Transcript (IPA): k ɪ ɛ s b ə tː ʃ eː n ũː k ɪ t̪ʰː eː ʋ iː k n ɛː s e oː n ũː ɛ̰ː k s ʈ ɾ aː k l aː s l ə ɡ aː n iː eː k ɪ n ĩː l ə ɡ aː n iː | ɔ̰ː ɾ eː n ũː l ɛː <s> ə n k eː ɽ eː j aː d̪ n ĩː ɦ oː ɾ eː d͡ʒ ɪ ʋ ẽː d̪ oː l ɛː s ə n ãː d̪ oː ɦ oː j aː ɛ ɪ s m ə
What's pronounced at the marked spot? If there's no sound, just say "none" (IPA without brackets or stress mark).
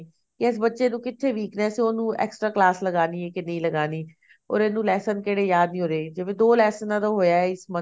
s